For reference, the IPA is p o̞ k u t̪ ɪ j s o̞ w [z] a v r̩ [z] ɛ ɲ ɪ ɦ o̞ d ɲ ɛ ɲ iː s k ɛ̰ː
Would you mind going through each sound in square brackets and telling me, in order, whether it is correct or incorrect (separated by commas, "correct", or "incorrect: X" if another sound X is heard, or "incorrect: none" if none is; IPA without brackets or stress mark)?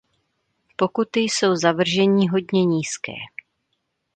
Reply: correct, incorrect: ʒ